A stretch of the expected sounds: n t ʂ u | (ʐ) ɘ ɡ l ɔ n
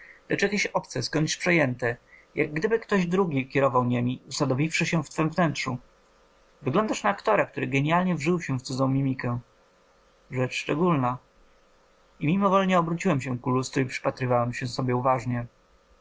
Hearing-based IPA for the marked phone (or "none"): v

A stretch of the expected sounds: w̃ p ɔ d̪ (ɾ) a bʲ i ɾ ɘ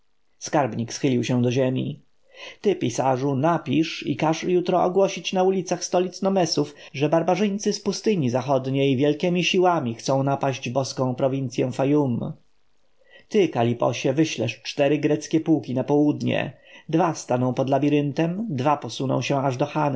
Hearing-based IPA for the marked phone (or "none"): l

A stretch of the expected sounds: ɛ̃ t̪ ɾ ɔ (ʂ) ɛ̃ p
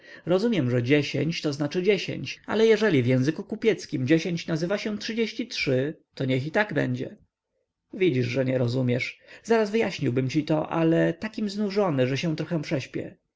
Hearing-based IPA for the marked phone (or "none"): x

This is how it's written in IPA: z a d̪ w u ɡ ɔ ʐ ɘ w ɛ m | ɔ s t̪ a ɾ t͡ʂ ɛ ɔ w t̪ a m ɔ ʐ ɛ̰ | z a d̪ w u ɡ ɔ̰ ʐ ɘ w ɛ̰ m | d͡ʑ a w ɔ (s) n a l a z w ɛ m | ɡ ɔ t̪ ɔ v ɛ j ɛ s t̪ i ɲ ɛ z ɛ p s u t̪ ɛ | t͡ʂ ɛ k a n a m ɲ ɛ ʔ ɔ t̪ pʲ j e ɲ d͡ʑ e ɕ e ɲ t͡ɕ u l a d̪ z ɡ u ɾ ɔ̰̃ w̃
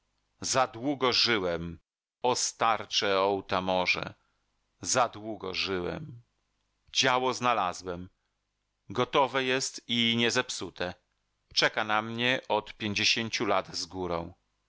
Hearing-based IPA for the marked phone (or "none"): z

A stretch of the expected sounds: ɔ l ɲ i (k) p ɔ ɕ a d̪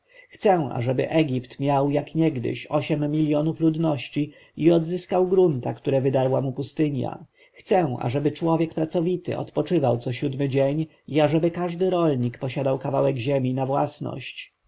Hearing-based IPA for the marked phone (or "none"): k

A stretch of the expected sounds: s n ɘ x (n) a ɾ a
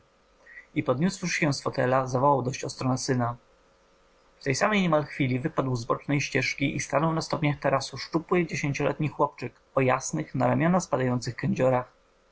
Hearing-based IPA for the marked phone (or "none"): n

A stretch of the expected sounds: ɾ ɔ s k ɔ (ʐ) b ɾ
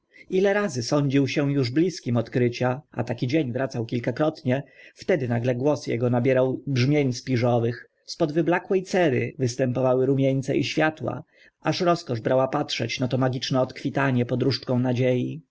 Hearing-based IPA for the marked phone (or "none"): ʐ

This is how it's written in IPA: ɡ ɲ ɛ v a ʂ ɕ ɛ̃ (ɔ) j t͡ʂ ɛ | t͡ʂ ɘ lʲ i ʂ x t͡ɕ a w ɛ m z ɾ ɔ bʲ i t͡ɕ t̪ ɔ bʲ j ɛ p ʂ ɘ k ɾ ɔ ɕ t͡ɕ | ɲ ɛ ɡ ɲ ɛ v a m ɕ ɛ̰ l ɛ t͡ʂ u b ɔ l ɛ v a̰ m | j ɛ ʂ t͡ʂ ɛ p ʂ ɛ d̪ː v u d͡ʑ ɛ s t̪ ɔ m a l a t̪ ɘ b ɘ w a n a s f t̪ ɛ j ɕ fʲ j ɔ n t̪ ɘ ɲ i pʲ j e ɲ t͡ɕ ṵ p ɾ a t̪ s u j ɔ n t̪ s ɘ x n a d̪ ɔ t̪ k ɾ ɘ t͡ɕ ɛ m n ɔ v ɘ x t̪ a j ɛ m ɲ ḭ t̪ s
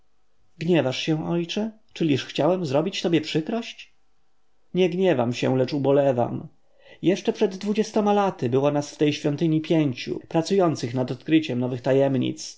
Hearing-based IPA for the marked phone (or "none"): ɔ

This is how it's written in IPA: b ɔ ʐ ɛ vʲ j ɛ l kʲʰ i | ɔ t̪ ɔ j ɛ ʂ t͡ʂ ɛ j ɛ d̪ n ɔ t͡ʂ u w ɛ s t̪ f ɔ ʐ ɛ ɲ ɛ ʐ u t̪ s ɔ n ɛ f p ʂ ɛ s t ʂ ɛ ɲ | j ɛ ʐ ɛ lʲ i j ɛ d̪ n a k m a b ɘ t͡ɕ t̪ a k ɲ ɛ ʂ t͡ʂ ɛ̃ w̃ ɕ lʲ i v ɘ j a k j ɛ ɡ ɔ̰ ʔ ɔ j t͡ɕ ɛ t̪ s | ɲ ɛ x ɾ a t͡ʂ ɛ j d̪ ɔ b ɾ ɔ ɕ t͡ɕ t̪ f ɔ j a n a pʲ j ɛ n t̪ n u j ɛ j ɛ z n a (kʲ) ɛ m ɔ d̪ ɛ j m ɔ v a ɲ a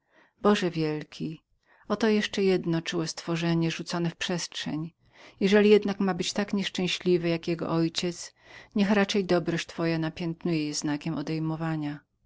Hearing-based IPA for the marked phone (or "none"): kʲ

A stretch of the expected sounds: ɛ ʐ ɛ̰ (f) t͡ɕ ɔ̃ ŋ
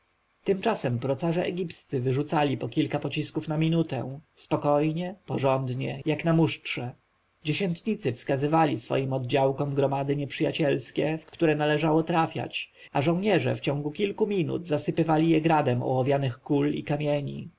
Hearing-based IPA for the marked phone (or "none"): f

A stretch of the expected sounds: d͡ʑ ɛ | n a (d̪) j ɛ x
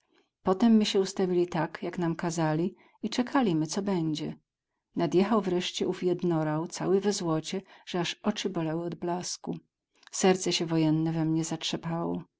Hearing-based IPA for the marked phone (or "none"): d̪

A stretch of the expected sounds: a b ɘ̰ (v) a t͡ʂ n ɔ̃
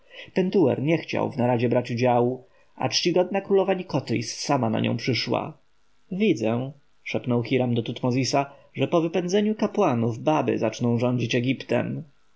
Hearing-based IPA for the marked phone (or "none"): z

